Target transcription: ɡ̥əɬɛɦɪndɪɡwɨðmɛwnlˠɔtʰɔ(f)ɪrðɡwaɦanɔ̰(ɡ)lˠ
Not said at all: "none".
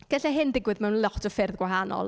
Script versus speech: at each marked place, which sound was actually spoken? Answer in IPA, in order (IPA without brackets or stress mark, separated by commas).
f, none